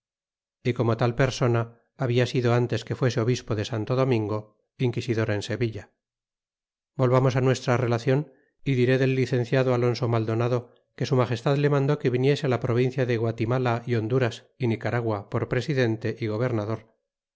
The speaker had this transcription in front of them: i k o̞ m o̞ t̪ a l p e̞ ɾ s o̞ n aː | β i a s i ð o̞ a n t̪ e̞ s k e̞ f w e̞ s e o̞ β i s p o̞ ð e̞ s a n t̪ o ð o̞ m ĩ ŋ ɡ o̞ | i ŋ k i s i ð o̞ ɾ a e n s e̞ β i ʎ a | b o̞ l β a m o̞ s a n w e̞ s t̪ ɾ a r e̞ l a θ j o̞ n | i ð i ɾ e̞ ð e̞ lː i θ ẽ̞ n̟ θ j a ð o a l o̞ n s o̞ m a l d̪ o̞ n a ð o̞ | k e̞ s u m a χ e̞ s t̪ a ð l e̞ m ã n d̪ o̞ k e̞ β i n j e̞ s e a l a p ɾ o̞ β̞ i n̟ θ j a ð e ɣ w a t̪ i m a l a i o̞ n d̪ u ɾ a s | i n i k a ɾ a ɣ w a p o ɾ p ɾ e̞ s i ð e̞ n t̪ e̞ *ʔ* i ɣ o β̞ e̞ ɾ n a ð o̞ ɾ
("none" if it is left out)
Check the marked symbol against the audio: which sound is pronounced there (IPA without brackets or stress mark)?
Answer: ʔ